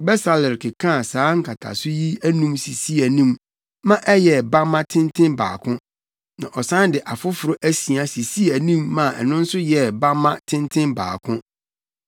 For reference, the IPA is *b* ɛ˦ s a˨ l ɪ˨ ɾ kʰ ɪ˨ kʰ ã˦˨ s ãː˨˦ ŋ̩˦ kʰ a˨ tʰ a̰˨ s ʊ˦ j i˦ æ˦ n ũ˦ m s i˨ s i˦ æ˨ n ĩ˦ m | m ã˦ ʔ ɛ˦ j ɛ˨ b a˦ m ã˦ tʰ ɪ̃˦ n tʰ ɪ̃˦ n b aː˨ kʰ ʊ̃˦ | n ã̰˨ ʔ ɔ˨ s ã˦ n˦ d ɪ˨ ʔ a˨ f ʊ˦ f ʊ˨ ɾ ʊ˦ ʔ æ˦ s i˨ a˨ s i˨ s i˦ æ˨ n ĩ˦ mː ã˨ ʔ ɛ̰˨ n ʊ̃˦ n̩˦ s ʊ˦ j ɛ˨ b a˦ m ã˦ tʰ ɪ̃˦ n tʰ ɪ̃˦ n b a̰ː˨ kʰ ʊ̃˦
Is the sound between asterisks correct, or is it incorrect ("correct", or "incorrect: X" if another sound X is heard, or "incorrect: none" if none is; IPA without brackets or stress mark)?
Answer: correct